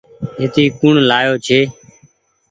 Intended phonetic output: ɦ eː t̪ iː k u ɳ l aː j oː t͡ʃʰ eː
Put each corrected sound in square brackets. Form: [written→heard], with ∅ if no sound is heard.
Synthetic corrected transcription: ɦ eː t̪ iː k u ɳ l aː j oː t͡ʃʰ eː